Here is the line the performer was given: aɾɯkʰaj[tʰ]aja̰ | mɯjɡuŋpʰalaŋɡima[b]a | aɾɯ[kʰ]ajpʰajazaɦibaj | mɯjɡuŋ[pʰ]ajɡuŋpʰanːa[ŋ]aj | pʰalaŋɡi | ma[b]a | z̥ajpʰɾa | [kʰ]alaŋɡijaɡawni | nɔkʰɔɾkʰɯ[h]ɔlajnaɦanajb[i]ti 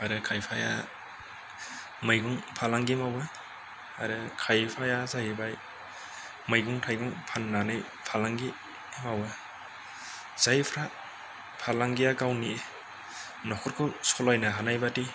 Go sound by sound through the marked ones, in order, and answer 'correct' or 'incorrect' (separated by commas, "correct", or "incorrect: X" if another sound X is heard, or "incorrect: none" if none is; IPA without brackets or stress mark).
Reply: incorrect: pʰ, incorrect: w, correct, incorrect: tʰ, incorrect: n, incorrect: w, incorrect: pʰ, incorrect: s, incorrect: a